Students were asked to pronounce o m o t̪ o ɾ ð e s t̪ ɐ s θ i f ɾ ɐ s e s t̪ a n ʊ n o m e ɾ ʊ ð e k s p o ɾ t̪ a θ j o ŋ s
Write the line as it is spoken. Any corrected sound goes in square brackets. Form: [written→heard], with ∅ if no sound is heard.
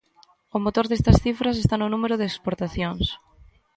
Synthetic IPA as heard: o m o t̪ o ɾ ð e s t̪ ɐ s θ i f ɾ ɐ s e s t̪ a n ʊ n [o→u] m e ɾ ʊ ð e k s p o ɾ t̪ a θ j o ŋ s

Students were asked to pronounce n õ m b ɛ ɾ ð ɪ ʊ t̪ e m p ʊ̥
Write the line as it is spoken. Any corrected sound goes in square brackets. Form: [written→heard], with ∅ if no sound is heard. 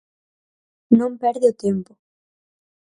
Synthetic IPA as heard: n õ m [b→p] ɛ ɾ ð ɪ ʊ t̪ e m p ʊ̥

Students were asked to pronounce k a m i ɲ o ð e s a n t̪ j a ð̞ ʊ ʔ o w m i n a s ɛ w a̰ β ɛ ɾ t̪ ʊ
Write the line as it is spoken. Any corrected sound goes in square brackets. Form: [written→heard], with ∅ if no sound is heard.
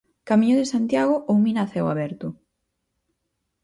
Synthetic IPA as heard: k a m i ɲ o ð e s a n t̪ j a [ð̞→ɣ̞] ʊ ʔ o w m i n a [s→θ] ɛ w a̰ β ɛ ɾ t̪ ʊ

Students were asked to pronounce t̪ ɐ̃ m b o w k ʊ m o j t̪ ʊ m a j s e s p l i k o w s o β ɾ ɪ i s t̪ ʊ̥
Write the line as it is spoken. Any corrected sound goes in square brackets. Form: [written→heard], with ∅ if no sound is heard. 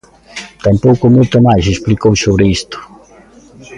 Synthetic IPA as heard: t̪ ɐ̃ m [b→p] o w k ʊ m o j t̪ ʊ m a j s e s p l i k o w s o β ɾ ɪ i s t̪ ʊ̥

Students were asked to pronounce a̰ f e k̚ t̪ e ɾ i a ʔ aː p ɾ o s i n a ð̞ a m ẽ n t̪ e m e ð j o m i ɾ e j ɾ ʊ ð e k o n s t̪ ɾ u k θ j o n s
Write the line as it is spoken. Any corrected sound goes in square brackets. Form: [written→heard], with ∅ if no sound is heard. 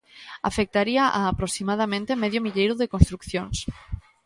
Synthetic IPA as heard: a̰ f e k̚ t̪ [e→a] ɾ i a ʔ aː p ɾ o s i [n→m] a ð̞ a m ẽ n t̪ e m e ð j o m i [ɾ→ʎ] e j ɾ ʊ ð e k o n s t̪ ɾ u k θ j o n s

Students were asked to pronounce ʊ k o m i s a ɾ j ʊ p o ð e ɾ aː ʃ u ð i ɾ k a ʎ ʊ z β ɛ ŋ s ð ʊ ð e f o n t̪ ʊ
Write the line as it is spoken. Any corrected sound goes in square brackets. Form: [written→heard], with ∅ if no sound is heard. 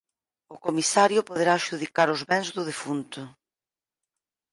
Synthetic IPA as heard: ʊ k o m i s a ɾ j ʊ p o ð e ɾ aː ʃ u ð i [ɾ→∅] k a [ʎ→ɾ] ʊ z β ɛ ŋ [s→z] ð ʊ ð e f [o→u] n t̪ ʊ

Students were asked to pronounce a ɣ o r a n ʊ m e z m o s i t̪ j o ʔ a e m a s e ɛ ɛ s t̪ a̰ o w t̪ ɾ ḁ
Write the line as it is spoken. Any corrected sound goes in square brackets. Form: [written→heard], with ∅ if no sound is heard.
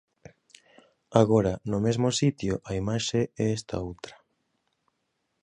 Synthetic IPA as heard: a ɣ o [r→ɾ] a n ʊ m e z m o s i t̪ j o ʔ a [e→i] m a [s→ʃ] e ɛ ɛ s t̪ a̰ o w t̪ ɾ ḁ

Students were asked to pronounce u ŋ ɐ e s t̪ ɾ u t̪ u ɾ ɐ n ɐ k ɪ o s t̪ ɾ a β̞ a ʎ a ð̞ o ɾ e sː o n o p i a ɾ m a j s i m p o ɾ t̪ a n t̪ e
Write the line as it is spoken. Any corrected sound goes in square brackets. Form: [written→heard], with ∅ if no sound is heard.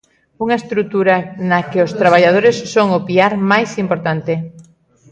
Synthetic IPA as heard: u ŋ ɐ e s t̪ ɾ u t̪ u ɾ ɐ n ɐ k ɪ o s t̪ ɾ a β̞ a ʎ a ð̞ o ɾ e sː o [n→ŋ] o p i a ɾ m a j s i m p o ɾ t̪ a n t̪ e

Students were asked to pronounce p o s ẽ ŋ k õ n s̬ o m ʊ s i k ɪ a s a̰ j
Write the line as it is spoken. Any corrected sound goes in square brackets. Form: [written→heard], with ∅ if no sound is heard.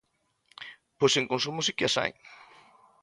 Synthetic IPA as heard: p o s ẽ ŋ k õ n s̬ [o→u] m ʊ s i k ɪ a s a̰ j

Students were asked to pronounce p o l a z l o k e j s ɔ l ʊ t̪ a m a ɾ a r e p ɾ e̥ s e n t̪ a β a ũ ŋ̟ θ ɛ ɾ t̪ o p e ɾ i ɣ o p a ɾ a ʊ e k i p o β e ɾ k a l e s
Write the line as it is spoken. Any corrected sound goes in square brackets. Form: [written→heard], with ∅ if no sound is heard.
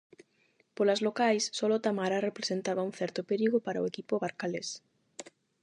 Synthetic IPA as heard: p o l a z l o k [e→a] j [s→sː] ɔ l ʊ t̪ a m a ɾ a r e p ɾ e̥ s e n t̪ a β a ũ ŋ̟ θ ɛ ɾ t̪ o p e ɾ i ɣ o p a ɾ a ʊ e k i p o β [e→a] ɾ k a l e s

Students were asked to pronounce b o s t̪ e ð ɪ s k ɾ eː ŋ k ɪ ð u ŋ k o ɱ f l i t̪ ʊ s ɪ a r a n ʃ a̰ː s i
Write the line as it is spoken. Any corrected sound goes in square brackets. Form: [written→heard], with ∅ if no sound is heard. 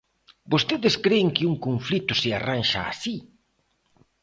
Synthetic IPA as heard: b o s t̪ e ð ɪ s k ɾ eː ŋ k ɪ [ð→∅] u ŋ k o ɱ f l i t̪ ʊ s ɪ a r a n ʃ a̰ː s i

